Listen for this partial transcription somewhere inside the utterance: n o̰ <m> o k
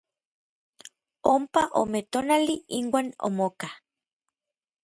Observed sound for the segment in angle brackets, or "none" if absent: m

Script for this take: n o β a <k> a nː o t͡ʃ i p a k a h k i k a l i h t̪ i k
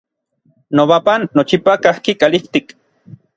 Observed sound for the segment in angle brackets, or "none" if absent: p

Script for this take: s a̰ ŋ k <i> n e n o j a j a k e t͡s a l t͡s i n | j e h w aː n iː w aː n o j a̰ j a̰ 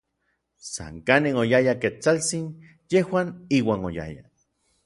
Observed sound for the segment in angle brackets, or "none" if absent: a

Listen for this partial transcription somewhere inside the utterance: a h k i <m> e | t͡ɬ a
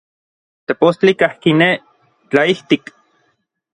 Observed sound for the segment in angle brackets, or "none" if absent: n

